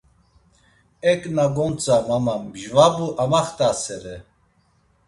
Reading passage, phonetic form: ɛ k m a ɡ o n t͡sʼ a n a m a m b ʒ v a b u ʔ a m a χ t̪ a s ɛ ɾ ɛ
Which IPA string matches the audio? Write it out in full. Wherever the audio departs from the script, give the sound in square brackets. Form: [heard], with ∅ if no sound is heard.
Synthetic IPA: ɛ k [n] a ɡ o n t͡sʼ a [m] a m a m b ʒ v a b u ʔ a m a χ t̪ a s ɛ ɾ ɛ